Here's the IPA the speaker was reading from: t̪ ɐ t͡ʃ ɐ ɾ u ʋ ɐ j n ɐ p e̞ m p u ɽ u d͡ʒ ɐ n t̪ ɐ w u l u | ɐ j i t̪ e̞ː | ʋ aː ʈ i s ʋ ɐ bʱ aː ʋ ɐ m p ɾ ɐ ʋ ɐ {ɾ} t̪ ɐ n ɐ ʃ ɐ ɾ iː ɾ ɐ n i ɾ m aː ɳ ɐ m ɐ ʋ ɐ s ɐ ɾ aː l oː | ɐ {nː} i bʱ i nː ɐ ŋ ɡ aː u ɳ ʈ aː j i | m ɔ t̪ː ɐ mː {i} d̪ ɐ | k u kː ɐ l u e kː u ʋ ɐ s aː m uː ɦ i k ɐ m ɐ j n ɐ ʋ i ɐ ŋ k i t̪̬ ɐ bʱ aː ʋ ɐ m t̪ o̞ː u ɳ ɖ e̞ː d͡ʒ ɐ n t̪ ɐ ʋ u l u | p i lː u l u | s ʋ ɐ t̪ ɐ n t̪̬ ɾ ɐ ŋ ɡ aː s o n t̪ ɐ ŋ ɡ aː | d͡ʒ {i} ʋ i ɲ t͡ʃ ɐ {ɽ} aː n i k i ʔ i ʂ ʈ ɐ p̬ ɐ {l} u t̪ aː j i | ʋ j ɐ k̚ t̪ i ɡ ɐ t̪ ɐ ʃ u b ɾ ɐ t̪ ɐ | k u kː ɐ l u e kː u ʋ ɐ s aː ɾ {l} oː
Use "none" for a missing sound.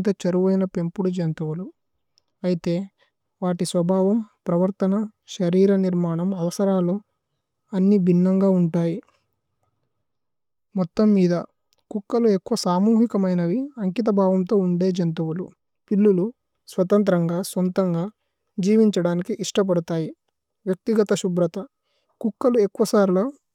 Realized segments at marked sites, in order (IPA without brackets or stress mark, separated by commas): ɾ, nː, iː, iː, ɽ, ɽ, l